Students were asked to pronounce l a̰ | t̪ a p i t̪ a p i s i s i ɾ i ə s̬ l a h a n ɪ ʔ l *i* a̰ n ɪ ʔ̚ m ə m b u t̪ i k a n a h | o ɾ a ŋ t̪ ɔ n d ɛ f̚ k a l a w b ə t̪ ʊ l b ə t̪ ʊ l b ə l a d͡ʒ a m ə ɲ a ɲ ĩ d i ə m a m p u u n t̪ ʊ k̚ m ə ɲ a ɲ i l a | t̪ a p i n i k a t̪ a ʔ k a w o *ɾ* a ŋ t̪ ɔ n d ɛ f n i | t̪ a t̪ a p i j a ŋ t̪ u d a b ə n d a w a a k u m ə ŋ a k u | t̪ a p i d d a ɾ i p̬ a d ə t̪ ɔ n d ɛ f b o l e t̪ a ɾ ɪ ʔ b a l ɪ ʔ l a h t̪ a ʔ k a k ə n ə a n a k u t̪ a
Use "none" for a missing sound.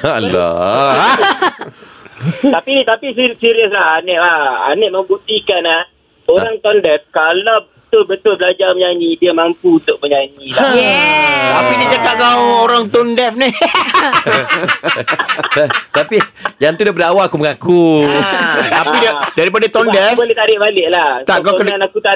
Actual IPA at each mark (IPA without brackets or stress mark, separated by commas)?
a, ɾ